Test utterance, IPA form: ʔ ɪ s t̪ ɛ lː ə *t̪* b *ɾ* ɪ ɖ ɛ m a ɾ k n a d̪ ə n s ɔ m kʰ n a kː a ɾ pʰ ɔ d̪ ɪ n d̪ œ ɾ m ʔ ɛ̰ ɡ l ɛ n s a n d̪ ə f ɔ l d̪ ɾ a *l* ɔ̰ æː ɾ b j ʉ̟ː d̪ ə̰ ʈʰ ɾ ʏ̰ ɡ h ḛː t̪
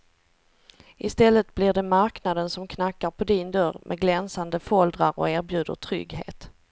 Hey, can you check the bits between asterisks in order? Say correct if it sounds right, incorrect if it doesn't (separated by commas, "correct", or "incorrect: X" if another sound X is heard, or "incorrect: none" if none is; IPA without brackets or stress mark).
correct, incorrect: l, incorrect: ɾ